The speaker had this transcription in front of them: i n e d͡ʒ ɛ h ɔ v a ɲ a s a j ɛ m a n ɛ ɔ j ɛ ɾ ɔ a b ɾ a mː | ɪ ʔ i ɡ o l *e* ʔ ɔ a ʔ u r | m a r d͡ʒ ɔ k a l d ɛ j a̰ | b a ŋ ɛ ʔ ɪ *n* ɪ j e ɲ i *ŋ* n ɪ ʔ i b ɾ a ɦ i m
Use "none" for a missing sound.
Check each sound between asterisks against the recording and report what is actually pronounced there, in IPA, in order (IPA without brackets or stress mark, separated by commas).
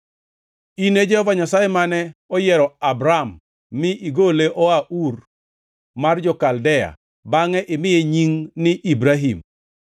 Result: e, m, ŋ